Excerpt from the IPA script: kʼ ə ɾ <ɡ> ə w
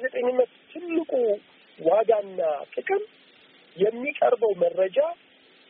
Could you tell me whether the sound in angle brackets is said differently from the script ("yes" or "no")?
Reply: yes